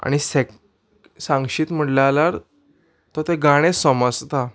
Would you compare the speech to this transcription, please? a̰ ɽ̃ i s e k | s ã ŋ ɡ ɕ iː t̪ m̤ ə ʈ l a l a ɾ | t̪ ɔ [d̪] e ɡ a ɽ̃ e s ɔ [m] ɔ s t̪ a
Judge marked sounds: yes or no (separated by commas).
no, yes